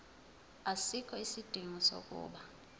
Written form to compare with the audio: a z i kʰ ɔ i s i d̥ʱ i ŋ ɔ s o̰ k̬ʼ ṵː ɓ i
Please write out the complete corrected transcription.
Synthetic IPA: a s i kʰ ɔ i s i d̥ʱ i ŋ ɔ s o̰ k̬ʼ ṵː ɓ a